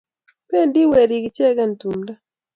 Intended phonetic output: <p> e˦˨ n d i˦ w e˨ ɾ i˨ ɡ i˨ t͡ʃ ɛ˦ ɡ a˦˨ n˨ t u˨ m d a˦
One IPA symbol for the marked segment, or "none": p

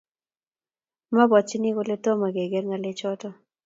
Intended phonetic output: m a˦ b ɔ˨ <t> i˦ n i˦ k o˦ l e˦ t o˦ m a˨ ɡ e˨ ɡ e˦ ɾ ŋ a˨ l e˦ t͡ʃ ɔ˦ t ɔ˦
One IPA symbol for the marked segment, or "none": t͡ʃ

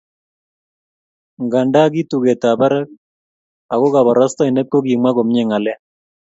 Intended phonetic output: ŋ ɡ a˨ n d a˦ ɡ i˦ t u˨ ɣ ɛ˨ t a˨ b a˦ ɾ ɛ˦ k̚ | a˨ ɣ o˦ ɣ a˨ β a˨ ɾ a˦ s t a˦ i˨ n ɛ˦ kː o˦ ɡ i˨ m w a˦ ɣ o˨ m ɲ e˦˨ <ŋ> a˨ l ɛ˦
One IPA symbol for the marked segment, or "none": ŋ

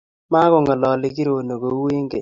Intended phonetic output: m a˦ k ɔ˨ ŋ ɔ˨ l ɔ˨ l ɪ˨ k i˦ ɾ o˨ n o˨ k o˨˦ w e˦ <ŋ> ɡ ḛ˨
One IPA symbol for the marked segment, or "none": ŋ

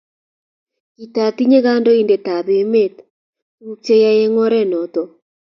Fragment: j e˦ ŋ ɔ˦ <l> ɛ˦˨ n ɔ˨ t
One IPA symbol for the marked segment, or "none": ɾ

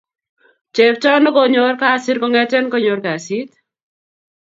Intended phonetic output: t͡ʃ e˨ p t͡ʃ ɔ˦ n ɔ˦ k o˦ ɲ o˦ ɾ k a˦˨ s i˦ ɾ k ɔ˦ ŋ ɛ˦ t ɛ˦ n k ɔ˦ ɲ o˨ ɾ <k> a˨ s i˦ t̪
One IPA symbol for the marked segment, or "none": k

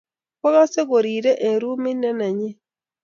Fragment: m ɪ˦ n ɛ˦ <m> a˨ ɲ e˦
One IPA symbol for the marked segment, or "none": n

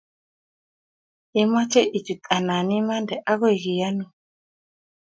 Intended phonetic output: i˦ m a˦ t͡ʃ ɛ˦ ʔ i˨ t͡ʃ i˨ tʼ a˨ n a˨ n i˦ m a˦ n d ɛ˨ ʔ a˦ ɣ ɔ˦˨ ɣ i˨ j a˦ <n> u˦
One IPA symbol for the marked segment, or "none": n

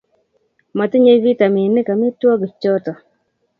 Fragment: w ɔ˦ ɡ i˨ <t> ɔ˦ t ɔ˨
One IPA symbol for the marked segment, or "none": t͡ʃ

